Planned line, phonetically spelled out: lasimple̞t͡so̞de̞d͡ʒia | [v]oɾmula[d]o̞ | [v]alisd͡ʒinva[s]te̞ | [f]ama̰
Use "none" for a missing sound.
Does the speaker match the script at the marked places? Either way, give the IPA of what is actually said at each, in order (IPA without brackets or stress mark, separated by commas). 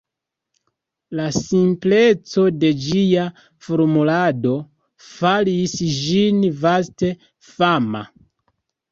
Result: f, d, f, s, f